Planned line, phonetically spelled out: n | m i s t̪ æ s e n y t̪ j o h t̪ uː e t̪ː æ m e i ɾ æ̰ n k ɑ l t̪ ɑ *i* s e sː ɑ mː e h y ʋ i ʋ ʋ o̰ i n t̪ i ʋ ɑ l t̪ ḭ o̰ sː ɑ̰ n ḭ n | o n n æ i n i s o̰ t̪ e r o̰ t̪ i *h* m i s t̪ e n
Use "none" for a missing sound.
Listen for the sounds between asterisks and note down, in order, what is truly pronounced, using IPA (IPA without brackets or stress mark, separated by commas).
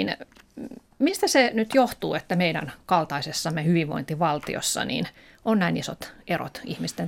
i, h